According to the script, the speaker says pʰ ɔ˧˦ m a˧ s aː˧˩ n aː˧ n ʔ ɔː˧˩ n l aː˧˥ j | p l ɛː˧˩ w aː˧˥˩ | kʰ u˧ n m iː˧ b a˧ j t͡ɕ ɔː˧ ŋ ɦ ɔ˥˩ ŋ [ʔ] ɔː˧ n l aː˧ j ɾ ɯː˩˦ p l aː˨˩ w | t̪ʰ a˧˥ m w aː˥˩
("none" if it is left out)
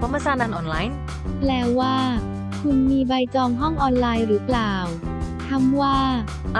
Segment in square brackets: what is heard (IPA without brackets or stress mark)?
ʔ